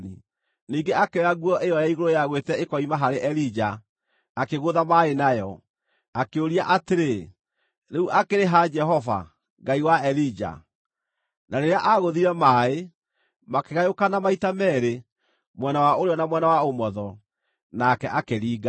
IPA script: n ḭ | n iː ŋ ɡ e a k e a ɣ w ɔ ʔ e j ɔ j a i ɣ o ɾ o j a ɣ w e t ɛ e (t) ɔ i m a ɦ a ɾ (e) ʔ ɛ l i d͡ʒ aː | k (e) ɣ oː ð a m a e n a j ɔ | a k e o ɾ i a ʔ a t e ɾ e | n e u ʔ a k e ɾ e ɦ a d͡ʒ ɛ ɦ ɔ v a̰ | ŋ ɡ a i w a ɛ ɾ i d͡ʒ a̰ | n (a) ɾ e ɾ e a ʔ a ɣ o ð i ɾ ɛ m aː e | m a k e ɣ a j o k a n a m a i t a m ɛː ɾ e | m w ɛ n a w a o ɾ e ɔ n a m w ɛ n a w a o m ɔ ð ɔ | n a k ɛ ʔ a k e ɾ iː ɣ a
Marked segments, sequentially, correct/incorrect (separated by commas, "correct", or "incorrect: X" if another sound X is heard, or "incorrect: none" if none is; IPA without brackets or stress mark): incorrect: k, correct, correct, correct